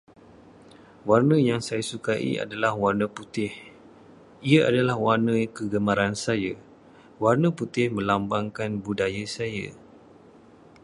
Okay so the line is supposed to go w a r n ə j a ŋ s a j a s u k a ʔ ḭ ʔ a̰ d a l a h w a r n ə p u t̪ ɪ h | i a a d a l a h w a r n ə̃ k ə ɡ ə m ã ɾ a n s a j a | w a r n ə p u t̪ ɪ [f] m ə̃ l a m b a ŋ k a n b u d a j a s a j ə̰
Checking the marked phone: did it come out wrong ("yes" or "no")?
yes